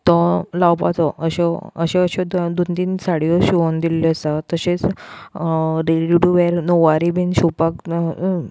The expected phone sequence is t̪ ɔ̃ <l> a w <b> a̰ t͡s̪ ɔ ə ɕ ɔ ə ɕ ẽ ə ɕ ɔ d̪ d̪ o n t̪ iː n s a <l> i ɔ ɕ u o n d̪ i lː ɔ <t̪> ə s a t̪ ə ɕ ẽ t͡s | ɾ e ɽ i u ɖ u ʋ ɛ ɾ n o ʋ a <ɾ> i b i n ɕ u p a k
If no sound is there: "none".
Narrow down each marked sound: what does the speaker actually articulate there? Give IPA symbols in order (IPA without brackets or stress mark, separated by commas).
l, p, ɽ, none, ɾ